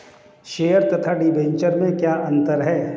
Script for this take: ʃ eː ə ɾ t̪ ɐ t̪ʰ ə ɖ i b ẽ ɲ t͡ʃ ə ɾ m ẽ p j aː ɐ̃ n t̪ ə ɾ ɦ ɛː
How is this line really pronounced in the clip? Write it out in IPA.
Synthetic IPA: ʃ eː ə ɾ t̪ ɐ t̪ʰ a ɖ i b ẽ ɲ t͡ʃ ə ɾ m ẽ k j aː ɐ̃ n t̪ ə ɾ ɦ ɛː